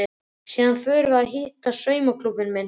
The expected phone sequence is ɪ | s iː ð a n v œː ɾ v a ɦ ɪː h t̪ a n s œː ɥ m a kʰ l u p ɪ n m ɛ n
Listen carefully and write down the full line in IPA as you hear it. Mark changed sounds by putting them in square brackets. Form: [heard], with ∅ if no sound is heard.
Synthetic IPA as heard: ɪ | s iː ð a n [f] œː ɾ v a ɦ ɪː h t̪ a [∅] s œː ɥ m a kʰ l u p ɪ n m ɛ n